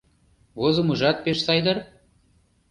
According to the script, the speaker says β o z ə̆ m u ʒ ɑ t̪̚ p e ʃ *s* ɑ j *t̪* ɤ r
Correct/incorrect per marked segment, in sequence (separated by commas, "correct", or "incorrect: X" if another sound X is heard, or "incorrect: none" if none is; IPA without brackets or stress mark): correct, incorrect: d̪